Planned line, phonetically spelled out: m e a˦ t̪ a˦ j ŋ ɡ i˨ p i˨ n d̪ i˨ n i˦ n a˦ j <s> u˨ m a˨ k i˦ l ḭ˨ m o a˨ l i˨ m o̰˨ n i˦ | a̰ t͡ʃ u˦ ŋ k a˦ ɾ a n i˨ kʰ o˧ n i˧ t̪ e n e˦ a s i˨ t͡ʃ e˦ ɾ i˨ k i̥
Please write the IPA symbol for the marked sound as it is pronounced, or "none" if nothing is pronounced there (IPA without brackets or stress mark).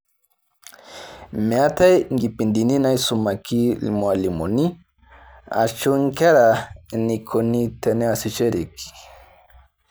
s